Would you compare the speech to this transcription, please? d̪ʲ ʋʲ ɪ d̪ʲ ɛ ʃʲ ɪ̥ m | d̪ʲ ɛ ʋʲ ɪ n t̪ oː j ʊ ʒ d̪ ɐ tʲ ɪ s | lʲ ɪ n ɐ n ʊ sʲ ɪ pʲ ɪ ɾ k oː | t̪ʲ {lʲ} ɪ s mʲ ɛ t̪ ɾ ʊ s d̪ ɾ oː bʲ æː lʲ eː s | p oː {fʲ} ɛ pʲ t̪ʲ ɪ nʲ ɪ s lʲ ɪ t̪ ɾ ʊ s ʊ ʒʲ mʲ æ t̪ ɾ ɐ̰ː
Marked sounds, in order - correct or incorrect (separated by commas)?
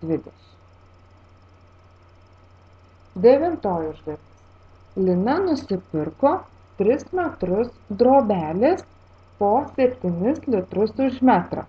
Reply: incorrect, incorrect